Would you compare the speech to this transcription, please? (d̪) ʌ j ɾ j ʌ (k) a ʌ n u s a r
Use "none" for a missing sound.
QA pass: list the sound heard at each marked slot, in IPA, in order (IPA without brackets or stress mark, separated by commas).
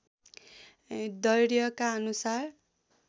d̪, k